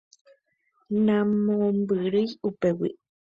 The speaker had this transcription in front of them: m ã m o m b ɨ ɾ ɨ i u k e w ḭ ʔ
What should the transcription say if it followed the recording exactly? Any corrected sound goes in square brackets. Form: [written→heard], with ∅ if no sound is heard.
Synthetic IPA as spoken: [m→n] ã m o m b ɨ ɾ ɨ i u [k→p] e w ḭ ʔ